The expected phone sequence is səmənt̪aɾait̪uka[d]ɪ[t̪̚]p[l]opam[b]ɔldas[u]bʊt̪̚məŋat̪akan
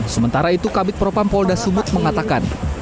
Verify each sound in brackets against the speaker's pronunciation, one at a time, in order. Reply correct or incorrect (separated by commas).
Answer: incorrect, correct, incorrect, incorrect, correct